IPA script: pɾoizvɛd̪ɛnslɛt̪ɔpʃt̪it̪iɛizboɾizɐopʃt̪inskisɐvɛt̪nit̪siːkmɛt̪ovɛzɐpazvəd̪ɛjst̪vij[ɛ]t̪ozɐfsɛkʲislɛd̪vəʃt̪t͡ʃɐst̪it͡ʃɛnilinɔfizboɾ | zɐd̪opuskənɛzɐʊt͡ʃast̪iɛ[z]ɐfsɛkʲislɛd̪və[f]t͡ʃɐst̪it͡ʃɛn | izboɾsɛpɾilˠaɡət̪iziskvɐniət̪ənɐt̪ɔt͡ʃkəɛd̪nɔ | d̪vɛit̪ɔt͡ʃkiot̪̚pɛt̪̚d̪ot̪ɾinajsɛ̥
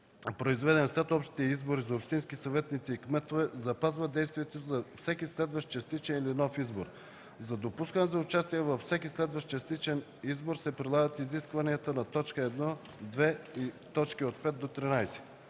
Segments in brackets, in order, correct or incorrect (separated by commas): correct, incorrect, incorrect